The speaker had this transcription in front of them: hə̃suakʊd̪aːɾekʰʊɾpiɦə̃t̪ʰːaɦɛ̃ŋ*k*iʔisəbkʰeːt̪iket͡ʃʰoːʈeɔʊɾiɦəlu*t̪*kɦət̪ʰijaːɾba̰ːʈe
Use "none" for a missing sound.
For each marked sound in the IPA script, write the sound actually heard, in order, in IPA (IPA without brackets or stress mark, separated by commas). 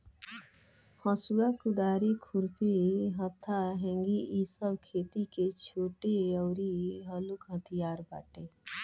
ɡ, none